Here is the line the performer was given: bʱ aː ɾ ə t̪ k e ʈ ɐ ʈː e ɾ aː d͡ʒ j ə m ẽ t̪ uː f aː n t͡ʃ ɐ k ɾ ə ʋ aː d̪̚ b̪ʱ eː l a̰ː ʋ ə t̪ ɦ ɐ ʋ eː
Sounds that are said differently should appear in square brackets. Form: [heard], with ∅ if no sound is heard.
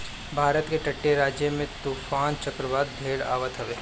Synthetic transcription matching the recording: bʱ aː ɾ ə t̪ k e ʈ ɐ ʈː e ɾ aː d͡ʒ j ə m ẽ t̪ uː f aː n t͡ʃ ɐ k ɾ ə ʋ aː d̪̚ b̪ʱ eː [ɽ] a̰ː ʋ ə t̪ ɦ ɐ ʋ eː